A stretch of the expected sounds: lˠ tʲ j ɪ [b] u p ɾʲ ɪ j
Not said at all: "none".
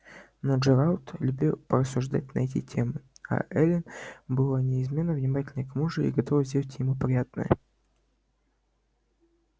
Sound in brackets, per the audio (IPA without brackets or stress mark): m